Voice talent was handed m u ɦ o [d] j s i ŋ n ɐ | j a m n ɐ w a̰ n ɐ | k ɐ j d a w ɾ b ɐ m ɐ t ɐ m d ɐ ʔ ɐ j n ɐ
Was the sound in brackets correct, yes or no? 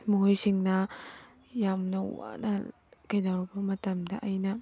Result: no